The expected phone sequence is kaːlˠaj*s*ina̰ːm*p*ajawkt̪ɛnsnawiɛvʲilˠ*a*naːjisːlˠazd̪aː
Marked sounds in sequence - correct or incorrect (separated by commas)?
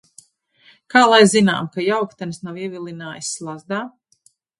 incorrect, incorrect, incorrect